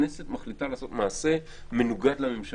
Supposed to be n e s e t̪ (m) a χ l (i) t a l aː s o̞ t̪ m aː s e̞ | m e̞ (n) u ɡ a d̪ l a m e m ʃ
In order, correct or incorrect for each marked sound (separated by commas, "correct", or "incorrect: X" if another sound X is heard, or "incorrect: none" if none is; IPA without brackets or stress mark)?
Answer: correct, correct, correct